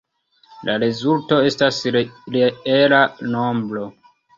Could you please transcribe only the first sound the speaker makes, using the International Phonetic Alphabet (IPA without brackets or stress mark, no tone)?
l